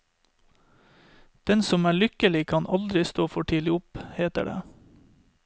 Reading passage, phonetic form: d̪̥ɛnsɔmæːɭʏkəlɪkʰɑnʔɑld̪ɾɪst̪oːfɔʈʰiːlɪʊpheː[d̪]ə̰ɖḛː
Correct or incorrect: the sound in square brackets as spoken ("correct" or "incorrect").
incorrect